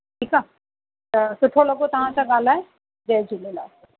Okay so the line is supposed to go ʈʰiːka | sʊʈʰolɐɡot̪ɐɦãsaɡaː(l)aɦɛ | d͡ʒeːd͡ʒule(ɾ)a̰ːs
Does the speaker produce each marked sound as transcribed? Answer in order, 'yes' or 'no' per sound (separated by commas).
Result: yes, no